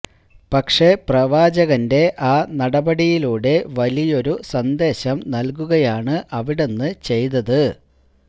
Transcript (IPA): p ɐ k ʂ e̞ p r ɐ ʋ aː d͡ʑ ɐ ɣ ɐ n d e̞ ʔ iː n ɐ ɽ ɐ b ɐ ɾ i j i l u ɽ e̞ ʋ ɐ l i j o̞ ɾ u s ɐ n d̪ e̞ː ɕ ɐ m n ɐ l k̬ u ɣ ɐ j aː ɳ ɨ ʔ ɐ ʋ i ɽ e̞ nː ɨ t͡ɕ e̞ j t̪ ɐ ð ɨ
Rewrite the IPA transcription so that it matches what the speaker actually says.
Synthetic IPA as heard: p ɐ k ʂ e̞ p r ɐ ʋ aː d͡ʑ ɐ ɣ ɐ n d e̞ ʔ aː n ɐ ɽ ɐ b ɐ ɽ i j i l uː ɽ e̞ ʋ ɐ l i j o̞ ɾ u s ɐ n d̪ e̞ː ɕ ɐ m n ɐ l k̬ u ɣ ɐ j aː ɳ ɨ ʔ ɐ ʋ i ɽ e̞ nː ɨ t͡ɕ e̞ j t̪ ɐ ð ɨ